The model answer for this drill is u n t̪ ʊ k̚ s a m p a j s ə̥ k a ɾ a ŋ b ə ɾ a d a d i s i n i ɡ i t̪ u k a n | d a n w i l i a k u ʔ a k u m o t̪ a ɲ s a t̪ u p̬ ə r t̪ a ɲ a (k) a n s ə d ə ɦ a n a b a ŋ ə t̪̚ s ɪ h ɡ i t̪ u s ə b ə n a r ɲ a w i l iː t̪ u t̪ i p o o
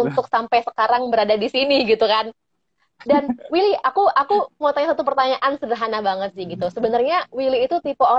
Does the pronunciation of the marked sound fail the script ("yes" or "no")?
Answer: yes